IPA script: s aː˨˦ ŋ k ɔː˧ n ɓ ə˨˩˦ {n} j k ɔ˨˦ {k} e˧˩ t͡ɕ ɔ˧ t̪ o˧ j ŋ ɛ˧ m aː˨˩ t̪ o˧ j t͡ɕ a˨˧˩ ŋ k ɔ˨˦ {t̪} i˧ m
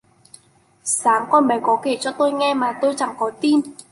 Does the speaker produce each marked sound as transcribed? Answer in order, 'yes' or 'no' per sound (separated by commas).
no, yes, yes